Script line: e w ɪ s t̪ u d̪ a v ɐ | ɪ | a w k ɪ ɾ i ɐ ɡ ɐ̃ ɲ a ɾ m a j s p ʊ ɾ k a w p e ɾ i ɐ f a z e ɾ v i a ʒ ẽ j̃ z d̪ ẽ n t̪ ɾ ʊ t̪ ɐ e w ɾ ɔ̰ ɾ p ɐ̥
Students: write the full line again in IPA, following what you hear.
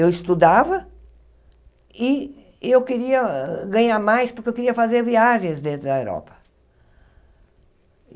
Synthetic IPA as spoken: e w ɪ s t̪ u d̪ a v ɐ | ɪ | e w k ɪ ɾ i ɐ ɡ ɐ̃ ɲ a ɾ m a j s p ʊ ɾ k e w k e ɾ i ɐ f a z e ɾ v i a ʒ ẽ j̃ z d̪ ẽ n t̪ ɾ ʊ d̪ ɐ e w ɾ ɔ̰ p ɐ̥